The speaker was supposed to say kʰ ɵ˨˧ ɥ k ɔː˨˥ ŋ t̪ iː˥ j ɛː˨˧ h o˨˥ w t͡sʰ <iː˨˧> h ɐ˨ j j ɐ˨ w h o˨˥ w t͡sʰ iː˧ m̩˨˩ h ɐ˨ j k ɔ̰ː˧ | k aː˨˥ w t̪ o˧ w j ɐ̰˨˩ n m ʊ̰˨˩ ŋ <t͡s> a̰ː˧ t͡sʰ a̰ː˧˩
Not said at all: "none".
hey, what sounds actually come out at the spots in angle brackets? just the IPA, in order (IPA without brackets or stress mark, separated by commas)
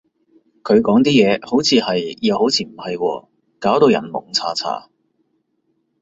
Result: iː˨˧, t͡sʰ